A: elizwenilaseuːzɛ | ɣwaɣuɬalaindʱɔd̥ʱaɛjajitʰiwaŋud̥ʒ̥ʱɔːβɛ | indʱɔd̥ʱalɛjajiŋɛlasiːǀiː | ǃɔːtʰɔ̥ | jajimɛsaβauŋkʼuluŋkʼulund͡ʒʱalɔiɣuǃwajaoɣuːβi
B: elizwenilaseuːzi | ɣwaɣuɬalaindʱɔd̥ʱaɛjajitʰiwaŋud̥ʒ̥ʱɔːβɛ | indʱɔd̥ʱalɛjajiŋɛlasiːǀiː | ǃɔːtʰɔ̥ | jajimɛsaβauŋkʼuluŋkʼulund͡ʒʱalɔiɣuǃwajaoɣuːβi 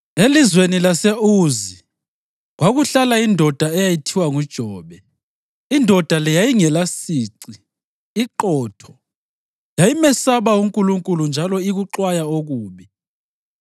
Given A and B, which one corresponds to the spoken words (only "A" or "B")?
B